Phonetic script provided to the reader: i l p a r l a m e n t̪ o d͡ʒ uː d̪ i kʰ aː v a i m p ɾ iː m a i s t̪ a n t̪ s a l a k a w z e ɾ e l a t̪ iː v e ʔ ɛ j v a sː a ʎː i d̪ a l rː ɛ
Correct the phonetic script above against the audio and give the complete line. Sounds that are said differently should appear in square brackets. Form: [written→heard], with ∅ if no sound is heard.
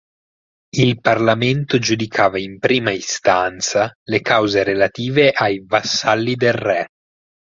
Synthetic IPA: i l p a r l a m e n t̪ o d͡ʒ [uː→u] d̪ i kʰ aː v a i m p ɾ iː m a i s t̪ a n t̪ s a l [a→e] k a w z e ɾ e l a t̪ iː v e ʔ [ɛ→a] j v a sː a [ʎː→lː] i d̪ [a→e] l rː ɛ